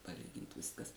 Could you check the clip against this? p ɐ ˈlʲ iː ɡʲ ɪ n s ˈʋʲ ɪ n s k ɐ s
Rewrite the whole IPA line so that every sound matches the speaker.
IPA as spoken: p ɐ ˈlʲ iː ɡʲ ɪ n t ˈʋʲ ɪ s k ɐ s